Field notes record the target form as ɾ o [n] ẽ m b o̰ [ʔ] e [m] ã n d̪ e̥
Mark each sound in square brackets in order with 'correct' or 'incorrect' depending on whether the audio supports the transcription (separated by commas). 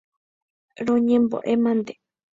incorrect, correct, correct